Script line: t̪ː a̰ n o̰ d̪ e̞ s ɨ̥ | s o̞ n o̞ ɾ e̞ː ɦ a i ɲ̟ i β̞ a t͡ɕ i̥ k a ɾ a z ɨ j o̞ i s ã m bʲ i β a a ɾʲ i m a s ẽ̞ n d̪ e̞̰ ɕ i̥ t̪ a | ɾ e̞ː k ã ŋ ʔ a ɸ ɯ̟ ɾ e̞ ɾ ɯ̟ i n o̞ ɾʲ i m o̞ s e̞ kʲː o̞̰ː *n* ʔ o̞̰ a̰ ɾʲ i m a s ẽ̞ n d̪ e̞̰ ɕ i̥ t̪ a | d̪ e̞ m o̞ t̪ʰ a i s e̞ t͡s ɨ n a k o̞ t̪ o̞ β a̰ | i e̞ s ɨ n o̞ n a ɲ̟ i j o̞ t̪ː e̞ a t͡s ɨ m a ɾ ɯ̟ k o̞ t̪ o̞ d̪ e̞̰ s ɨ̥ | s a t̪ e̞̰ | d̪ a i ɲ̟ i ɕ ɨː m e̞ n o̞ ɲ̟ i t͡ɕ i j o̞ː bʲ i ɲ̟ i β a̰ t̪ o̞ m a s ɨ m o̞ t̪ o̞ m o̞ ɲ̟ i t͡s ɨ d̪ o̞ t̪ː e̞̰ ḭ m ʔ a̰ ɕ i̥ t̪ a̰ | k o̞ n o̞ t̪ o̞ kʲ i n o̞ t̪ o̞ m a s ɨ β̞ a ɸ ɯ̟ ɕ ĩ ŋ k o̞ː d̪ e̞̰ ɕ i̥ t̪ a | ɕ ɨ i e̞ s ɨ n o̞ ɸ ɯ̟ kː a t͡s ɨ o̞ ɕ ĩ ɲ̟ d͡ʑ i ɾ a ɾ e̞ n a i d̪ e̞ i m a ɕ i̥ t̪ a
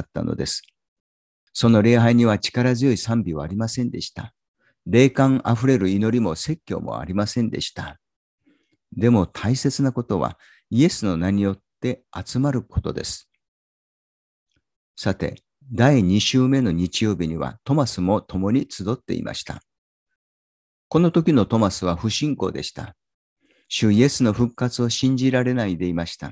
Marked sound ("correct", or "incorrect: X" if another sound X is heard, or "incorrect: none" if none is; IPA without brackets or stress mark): incorrect: m